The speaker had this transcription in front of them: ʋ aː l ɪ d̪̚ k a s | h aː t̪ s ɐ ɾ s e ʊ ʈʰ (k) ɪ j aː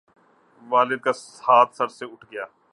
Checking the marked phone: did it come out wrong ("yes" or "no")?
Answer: yes